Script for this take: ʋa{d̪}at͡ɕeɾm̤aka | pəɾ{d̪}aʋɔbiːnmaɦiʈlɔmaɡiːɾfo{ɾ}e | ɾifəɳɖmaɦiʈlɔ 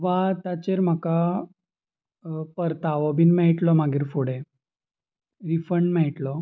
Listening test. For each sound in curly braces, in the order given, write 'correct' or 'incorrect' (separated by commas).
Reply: incorrect, incorrect, incorrect